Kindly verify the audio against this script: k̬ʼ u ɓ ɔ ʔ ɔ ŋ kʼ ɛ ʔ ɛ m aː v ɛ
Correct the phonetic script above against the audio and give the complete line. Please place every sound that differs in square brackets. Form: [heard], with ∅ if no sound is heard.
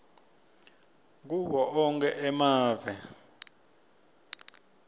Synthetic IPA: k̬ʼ u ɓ ɔ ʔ ɔ ŋ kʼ ɛ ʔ ɛ m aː v ɛ